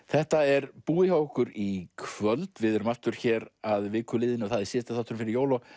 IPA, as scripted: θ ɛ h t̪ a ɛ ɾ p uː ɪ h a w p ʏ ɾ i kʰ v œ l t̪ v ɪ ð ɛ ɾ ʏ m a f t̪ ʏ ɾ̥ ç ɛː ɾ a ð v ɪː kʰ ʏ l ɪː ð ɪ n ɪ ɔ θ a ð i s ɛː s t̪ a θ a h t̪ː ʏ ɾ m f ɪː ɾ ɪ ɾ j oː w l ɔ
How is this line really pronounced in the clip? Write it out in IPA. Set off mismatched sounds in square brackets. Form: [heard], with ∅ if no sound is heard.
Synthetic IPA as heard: θ ɛ h t̪ a ɛ ɾ p uː ɪ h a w [k] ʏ ɾ i kʰ v œ l t̪ v ɪ ð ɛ ɾ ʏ m a f t̪ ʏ ɾ̥ ç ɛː ɾ a ð v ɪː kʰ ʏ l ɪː ð ɪ n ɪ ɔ θ a ð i s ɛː s t̪ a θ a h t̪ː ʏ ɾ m f [ɪ] ɾ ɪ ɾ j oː w l ɔ